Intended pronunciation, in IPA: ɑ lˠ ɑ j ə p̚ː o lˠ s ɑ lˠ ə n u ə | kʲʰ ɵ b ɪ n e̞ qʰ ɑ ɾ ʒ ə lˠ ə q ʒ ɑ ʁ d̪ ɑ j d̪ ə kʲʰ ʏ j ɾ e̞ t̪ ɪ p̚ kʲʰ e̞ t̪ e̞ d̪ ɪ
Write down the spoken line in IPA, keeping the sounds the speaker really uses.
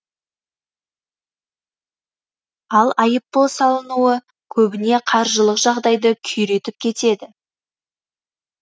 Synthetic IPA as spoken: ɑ lˠ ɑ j ə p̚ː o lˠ s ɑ lˠ ə n u ə | kʲʰ ɵ b ɪ n e̞ qʰ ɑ ɾ ʒ ə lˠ ə q ʒ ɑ ʁ d̪ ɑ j d̪ ə kʲʰ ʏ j ɾ e̞ t̪ ɪ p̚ kʲʰ e̞ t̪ e̞ d̪ ɪ